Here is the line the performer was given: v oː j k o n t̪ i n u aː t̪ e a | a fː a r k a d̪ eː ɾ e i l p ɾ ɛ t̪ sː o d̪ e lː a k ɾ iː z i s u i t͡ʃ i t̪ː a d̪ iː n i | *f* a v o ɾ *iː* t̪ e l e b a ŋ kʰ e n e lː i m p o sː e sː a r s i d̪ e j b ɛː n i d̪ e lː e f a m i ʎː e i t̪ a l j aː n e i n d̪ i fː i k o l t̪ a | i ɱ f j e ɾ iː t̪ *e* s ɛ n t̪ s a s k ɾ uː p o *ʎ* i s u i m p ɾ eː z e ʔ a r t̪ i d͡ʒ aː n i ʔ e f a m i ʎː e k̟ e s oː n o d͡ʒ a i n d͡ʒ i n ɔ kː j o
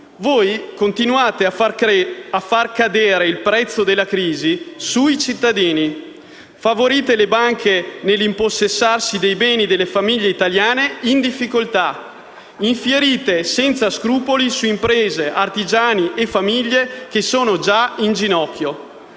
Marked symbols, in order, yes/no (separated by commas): yes, yes, yes, no